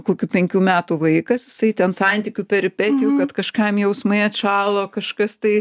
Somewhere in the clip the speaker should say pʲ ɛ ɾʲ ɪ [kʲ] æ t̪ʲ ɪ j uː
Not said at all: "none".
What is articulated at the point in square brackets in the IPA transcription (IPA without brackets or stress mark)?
pʲ